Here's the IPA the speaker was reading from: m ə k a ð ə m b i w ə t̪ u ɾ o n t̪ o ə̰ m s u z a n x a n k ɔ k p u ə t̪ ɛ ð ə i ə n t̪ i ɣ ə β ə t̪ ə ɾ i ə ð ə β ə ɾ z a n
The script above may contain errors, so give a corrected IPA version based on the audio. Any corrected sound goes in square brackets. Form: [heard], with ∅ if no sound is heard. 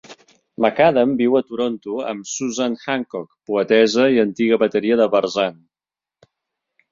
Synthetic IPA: m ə k a ð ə m b i w ə t̪ u ɾ o n t̪ [u] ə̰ m s u z a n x a [ŋ] k ɔ k p u ə t̪ ɛ [z] ə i ə n t̪ i ɣ ə β ə t̪ ə ɾ i ə ð ə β ə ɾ z a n